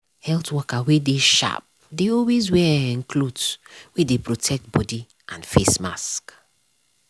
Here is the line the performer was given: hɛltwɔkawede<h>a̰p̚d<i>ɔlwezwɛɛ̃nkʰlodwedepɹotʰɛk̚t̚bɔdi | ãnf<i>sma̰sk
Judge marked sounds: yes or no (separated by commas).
no, no, no